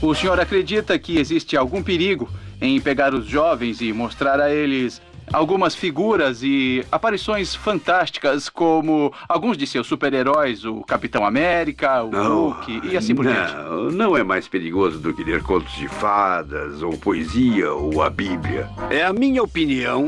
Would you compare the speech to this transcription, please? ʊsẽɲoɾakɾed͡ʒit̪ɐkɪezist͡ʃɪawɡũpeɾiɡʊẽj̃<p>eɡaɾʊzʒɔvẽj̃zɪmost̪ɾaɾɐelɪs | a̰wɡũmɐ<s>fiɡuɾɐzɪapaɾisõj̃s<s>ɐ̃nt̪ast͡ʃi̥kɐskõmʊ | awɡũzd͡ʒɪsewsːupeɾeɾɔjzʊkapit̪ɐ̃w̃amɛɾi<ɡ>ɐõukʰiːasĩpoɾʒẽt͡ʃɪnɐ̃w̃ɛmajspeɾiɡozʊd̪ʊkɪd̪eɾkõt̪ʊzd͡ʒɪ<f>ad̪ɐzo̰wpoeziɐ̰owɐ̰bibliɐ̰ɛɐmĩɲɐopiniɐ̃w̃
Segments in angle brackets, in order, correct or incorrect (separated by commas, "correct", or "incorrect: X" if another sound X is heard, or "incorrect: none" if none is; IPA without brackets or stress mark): correct, correct, incorrect: f, incorrect: k, correct